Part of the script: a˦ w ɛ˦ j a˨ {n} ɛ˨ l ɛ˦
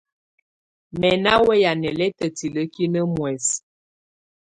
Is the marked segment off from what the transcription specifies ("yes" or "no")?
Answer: no